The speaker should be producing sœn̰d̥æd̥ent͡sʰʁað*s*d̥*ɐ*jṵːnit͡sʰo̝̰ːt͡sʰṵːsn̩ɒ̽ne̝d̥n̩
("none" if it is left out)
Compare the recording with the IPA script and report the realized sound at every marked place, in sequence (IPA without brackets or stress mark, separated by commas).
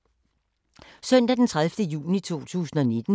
f, ə